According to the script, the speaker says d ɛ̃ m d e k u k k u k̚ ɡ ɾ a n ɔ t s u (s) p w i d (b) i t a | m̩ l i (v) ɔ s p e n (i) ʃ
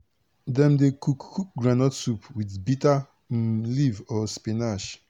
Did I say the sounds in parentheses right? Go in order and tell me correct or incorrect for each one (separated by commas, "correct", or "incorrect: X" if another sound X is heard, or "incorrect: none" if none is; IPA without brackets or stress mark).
incorrect: none, correct, correct, incorrect: a